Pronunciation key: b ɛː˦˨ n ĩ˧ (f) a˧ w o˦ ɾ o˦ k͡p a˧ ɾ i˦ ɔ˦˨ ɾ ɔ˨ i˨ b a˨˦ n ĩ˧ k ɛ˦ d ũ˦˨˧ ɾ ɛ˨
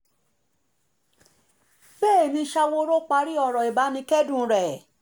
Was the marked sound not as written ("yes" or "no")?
yes